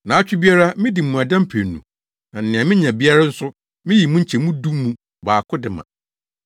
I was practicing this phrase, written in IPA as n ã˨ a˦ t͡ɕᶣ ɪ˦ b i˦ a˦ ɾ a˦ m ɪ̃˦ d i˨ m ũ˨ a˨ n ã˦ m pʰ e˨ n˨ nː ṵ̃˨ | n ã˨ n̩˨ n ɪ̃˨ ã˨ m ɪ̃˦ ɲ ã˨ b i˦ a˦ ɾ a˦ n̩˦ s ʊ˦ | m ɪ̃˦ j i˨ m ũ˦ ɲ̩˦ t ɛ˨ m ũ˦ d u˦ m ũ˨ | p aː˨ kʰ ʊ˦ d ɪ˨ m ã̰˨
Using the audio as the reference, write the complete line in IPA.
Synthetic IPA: n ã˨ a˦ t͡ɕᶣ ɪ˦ b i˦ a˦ ɾ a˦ m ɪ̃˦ d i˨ m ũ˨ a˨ d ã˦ m pʰ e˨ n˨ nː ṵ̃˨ | n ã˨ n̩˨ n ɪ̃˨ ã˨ m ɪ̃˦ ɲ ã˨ b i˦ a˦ ɾ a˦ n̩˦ s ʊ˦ | m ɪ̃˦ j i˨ m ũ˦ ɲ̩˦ t͡ɕʰ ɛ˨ m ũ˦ d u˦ m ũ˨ | b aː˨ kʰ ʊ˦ d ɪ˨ m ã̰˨